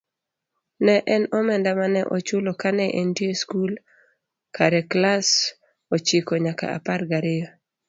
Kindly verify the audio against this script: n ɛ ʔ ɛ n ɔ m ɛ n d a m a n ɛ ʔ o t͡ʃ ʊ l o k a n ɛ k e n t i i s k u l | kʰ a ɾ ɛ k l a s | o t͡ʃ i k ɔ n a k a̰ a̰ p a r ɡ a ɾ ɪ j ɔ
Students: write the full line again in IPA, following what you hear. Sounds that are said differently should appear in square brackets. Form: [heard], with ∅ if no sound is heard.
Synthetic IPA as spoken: n ɛ ʔ ɛ n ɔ m ɛ n d a m a n ɛ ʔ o t͡ʃ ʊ l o k a n ɛ [ʔ] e n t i [e] s k u l | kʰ a ɾ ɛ k l a s | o t͡ʃ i k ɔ [ɲ] a k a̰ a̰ p a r ɡ a ɾ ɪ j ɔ